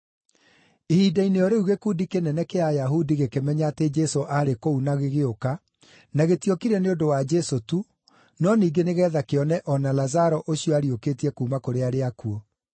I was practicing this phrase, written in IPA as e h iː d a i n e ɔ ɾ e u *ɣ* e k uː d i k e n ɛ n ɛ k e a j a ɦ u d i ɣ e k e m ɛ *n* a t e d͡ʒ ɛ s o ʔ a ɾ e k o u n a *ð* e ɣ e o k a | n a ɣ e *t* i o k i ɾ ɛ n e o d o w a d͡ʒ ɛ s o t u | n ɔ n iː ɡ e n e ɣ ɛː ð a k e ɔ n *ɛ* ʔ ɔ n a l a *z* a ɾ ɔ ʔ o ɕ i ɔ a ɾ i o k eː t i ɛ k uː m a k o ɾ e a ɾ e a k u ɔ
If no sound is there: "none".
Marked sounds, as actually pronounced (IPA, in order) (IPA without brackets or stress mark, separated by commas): ɣ, ɲ, ɣ, t, ɛ, z